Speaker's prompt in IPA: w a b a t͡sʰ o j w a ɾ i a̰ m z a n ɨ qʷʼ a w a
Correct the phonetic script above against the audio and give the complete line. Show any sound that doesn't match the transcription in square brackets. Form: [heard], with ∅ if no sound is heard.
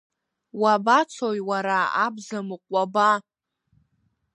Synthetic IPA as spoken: w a b a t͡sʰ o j w a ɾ [a] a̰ [b] z a [m] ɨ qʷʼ a [b] a